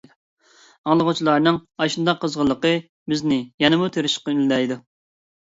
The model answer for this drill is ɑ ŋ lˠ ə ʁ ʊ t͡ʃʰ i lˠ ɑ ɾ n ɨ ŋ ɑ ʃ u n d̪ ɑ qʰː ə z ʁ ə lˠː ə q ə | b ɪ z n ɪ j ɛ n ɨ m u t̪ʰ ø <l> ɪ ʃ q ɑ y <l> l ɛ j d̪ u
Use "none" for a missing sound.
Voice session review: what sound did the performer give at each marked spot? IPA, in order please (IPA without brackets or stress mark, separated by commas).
ɾ, l